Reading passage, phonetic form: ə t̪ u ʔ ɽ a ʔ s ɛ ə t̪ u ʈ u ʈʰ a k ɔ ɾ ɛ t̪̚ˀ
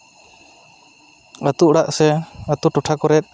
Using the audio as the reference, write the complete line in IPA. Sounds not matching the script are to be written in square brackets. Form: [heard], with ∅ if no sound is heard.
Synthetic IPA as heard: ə t̪ u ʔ ɽ a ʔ s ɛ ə t̪ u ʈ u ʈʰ a k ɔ ɾ ɛ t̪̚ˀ